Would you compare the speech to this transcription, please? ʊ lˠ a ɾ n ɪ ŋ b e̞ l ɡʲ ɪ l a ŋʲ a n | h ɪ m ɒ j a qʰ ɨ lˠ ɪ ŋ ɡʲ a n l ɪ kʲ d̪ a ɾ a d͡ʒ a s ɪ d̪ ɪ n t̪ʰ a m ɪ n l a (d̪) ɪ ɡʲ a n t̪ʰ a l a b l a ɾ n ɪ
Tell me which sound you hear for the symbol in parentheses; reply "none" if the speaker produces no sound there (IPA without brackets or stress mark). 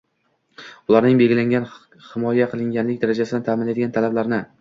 d̪